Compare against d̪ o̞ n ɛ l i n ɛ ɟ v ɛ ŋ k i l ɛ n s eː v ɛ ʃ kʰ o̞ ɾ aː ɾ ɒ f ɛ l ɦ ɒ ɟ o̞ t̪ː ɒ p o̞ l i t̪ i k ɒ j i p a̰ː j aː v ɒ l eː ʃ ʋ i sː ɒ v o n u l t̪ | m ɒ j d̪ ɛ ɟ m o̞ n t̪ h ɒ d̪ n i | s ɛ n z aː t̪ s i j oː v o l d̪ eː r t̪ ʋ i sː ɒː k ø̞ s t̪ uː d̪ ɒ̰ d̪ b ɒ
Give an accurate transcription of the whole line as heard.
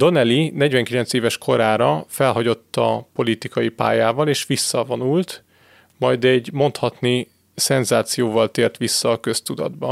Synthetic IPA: d̪ o̞ n ɛ l i n ɛ ɟ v ɛ ŋ k i l ɛ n s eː v ɛ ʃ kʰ o̞ ɾ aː ɾ ɒ f ɛ l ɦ ɒ ɟ o̞ t̪ː ɒ p o̞ l i t̪ i k ɒ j i p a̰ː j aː v ɒ l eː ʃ ʋ i sː ɒ v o n u l t̪ | m ɒ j d̪ ɛ ɟ m o̞ n t̪ h ɒ t̪ n i | s ɛ n z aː t̪ s i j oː v ɒ l t̪ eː r t̪ ʋ i sː ɒː k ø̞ s t̪ u d̪ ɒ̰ d̪ b ɒ